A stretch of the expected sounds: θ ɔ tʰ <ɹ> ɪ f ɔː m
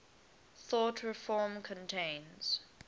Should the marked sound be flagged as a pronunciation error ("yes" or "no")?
no